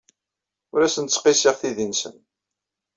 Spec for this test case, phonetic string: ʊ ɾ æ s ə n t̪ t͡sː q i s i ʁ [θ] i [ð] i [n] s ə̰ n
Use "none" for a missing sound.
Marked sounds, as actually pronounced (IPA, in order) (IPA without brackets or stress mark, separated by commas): θ, ð, n